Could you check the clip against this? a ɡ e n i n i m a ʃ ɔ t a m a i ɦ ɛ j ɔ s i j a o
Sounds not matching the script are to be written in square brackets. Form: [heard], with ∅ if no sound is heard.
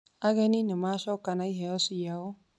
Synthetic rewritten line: a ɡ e n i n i m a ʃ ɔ [k] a [n] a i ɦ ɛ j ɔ s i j a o